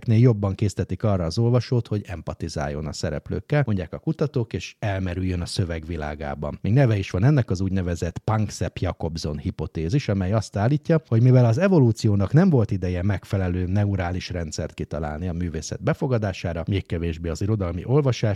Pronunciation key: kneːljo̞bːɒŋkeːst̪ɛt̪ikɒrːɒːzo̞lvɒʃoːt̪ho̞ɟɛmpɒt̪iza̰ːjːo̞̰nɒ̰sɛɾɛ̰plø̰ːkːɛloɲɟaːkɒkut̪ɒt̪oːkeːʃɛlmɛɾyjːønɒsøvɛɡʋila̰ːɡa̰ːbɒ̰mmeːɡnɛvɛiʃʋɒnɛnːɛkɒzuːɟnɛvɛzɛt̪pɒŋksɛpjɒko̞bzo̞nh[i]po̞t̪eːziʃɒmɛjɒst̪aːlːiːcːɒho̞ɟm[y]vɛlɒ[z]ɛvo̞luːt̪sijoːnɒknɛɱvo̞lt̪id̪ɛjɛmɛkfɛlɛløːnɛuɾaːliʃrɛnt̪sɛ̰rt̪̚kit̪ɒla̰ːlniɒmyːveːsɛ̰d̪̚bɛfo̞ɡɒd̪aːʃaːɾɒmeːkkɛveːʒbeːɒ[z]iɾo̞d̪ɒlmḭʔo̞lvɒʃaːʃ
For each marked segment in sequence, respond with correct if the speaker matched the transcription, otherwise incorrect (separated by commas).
correct, incorrect, correct, correct